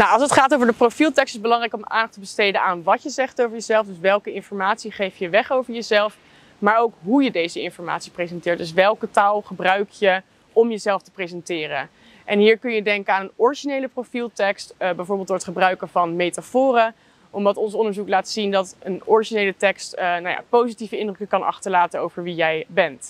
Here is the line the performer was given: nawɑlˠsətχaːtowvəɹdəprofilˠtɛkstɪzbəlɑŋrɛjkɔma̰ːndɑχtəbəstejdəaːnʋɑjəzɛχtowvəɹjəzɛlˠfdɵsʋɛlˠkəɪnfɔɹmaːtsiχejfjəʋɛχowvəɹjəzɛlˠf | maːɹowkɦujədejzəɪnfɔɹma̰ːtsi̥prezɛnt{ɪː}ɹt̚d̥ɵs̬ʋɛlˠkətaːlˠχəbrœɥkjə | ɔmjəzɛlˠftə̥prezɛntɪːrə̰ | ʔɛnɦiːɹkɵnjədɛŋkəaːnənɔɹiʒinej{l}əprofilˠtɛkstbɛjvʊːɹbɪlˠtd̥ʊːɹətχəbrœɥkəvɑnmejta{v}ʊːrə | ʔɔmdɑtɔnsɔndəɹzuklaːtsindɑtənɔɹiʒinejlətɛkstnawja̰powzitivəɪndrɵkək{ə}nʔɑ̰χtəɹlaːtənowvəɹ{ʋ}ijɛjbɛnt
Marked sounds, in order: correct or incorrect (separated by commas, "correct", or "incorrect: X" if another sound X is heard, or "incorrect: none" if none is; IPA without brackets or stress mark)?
correct, correct, incorrect: f, incorrect: ɑ, correct